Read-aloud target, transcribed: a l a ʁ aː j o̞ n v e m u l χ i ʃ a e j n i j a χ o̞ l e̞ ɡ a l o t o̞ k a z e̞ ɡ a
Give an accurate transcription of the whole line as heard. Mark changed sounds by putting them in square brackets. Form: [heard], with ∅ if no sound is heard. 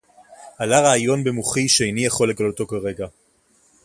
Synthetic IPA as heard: a l a ʁ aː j o̞ n [b] e m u [∅] χ i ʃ [e] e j n i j a χ o̞ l e̞ ɡ a l o t o̞ k a [ʁ] e̞ ɡ a

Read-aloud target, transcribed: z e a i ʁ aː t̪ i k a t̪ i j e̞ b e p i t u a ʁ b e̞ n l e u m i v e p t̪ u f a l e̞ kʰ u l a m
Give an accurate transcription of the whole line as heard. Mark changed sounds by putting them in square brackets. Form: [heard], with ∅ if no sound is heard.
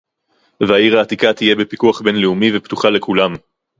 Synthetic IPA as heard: [v] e a i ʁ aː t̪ i k a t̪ i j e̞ b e p i [k] u a [χ] b e̞ n l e u m i v e p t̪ u [χ] a l e̞ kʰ u l a m

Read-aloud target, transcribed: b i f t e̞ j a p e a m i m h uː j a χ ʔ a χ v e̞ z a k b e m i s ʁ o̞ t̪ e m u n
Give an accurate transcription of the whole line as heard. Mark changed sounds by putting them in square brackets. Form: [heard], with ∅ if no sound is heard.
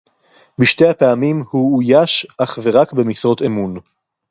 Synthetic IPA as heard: b i [ʃ] t e̞ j a p e a m i m h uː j a [ʃ] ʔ a χ v e̞ [ʁ] a k b e m i s ʁ o̞ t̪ e m u n

